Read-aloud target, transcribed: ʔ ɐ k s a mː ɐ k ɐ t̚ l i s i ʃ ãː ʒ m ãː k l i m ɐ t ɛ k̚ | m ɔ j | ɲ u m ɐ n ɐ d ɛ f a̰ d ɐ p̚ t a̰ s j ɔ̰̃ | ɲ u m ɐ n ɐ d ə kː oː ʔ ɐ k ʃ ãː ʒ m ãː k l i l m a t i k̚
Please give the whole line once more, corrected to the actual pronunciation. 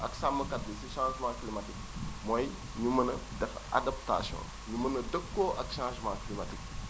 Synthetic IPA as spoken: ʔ ɐ k s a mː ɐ k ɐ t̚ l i s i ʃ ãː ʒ m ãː k l i m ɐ t i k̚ | m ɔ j | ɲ u m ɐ n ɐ d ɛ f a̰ d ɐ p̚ t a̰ s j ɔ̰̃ | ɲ u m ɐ n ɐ d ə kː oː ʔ ɐ k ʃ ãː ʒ m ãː k l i m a t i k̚

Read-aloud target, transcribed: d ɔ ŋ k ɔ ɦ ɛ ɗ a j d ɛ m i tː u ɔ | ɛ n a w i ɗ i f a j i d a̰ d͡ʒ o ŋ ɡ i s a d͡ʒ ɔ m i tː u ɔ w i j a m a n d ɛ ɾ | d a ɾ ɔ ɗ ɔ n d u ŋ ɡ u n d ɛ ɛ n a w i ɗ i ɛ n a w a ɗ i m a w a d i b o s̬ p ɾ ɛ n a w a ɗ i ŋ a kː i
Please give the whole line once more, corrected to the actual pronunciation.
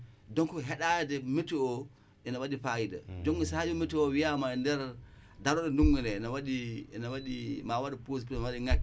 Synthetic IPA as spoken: d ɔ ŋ k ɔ ɦ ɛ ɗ a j d ɛ m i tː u ɔ | ɛ n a w a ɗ i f a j i d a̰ d͡ʒ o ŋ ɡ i s a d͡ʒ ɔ m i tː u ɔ w i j a m a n d ɛ ɾ | d a ɾ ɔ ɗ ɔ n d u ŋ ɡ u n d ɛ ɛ n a w a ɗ i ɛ n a w a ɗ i m a w a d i p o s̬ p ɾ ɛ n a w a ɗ i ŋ a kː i

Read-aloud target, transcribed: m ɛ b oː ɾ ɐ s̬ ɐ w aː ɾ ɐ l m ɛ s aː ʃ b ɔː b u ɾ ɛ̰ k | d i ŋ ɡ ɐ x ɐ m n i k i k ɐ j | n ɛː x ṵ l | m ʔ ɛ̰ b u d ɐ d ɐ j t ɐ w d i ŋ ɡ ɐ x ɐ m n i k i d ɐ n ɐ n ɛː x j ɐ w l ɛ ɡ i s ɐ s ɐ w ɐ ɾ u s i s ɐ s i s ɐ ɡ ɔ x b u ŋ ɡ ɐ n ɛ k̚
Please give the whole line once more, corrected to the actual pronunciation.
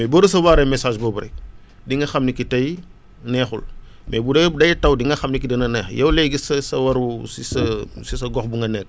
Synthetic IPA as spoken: m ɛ b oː ɾ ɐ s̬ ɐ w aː ɾ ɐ m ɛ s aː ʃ b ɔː b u ɾ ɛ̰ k | d i ŋ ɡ ɐ x ɐ m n i k i t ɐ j | n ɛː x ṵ l | m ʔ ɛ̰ b u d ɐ d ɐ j t ɐ w d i ŋ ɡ ɐ x ɐ m n i k i d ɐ n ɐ n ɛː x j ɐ w l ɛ ɡ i s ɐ s ɐ w ɐ ɾ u s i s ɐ s i s ɐ ɡ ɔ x b u ŋ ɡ ɐ n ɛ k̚

